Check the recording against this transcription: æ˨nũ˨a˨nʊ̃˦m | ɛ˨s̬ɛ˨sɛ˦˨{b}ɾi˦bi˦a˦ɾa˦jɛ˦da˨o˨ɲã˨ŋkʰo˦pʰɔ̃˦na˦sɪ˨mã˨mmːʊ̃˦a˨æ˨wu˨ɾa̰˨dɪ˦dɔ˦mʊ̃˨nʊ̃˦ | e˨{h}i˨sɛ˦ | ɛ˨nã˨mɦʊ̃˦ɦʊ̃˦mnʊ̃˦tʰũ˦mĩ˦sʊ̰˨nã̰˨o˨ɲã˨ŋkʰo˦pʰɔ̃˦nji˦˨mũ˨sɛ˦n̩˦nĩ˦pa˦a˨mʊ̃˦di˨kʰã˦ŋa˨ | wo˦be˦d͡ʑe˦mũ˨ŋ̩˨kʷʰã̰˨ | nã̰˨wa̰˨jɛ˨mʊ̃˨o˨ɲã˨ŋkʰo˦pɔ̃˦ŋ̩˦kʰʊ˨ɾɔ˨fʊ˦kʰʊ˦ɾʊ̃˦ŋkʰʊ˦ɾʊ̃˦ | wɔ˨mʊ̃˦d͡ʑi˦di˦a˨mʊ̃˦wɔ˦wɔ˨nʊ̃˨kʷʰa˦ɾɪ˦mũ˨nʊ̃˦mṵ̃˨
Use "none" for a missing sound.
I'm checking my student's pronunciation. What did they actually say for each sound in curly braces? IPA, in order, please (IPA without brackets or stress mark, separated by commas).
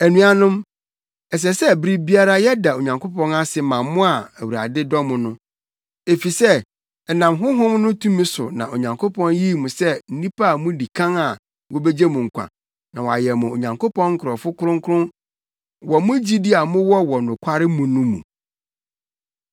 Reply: b, f